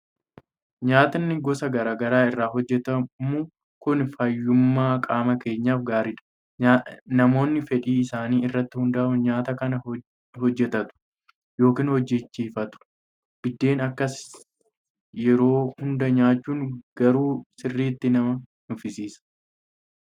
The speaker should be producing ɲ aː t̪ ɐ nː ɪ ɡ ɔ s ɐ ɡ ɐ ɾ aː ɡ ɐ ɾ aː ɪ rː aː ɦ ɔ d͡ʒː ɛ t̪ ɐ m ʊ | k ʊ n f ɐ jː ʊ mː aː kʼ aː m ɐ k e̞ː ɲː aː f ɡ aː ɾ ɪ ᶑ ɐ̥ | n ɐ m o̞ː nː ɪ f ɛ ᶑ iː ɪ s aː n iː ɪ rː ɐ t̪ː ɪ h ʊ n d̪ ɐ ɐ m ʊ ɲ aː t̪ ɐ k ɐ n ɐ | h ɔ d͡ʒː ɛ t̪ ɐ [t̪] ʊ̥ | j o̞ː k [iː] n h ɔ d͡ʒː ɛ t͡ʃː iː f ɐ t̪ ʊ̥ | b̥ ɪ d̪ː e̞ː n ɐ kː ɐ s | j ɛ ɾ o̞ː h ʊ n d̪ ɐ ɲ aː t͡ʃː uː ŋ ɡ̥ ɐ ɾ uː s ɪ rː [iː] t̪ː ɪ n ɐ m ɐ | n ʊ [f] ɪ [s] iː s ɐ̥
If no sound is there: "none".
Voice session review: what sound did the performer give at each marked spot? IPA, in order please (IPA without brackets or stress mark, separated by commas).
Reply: t̪, iː, iː, f, s